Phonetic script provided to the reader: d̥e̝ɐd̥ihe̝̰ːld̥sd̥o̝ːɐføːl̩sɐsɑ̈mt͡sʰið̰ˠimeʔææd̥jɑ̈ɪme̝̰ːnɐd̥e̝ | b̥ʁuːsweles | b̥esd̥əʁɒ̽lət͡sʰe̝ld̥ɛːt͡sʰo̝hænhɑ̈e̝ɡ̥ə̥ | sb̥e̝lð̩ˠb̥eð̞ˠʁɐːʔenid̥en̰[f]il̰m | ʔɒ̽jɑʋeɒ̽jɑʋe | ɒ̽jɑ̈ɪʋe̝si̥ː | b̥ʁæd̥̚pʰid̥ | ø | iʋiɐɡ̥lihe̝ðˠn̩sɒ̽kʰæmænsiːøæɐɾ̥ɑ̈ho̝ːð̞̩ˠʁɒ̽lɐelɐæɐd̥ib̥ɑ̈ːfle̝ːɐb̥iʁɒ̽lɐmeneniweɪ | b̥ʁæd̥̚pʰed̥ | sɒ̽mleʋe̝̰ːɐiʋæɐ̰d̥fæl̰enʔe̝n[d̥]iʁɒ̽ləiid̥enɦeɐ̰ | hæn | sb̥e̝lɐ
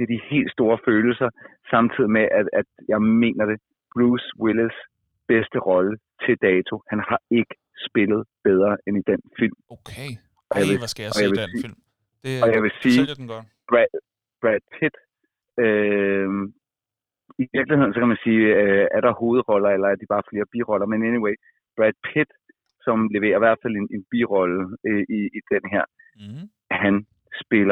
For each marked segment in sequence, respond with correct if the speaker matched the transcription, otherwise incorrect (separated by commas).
correct, incorrect